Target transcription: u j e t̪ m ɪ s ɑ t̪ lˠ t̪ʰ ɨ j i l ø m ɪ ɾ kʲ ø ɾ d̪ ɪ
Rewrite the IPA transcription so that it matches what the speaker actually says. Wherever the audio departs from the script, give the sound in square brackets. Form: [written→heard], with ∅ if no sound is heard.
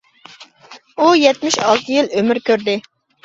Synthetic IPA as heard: u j [e→ɛ] t̪ m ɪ [s→ʃ] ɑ [t̪→∅] lˠ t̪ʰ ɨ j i l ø m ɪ ɾ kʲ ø ɾ d̪ ɪ